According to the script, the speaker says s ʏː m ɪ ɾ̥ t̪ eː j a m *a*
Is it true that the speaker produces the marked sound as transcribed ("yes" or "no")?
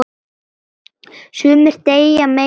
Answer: no